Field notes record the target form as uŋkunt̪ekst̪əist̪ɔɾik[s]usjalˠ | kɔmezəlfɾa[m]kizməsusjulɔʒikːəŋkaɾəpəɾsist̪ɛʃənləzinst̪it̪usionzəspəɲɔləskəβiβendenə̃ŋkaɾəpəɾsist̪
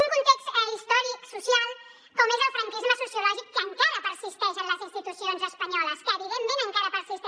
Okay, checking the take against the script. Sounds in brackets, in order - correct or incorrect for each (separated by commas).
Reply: correct, incorrect